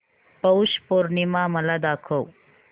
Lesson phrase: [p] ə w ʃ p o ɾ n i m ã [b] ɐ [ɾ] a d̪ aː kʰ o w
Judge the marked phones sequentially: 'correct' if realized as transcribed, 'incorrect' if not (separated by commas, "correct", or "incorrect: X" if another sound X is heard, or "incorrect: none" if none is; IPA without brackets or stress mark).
correct, incorrect: m, incorrect: l